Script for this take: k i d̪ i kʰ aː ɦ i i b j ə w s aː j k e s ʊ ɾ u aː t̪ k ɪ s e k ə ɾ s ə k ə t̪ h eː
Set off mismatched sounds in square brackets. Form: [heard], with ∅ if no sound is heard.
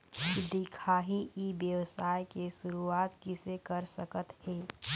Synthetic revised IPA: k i d̪ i kʰ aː ɦ i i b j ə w s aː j k e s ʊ ɾ u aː t̪ k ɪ s e k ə ɾ s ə k ə t̪ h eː